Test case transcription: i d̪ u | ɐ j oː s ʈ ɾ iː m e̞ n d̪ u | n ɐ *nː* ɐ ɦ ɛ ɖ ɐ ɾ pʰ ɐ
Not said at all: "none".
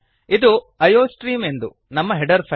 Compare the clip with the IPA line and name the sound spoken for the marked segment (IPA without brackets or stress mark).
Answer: mː